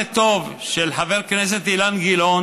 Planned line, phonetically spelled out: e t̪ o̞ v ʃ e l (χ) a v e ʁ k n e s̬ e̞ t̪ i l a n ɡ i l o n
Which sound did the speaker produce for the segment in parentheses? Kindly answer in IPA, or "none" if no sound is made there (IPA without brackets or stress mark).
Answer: ħ